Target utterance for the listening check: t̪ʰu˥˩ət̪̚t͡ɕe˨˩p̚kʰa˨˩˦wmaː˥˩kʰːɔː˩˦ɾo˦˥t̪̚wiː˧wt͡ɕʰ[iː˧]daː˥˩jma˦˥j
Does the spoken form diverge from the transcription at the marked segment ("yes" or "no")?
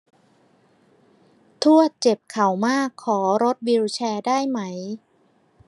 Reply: yes